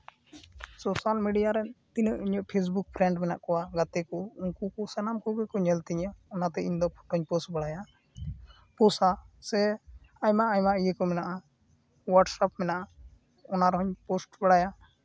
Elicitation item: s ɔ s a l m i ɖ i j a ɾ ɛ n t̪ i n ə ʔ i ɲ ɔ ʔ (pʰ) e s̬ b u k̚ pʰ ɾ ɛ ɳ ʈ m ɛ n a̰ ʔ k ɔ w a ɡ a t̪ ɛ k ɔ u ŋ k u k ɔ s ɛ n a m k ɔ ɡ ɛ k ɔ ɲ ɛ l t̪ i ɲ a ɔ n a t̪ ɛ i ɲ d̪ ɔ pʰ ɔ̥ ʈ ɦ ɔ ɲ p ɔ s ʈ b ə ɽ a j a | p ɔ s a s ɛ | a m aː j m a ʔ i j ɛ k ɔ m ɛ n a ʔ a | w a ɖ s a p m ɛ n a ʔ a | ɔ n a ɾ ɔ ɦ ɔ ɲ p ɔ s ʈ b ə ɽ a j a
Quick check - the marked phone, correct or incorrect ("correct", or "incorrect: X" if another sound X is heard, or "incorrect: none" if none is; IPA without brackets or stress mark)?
correct